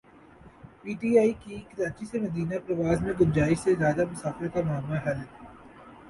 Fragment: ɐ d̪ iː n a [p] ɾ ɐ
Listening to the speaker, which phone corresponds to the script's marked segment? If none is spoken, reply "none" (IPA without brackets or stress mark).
p